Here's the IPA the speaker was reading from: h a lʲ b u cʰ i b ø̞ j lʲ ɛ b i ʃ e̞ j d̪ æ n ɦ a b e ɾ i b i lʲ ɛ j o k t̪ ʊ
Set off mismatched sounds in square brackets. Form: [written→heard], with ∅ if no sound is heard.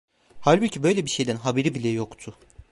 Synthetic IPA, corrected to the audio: h a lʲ b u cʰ i b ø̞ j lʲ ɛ b i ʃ e̞ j d̪ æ n ɦ a b e ɾ i b i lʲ ɛ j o k [t̪→t̪ʰ] ʊ